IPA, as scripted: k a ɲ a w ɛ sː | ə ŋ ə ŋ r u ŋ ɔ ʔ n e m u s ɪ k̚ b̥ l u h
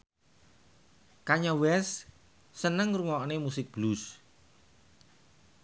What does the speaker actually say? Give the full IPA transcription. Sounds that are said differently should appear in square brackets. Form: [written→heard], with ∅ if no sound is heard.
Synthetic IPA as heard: k a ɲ a w ɛ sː | ə [ŋ→n] ə ŋ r u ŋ ɔ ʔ n e m u s ɪ k̚ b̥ l u [h→s]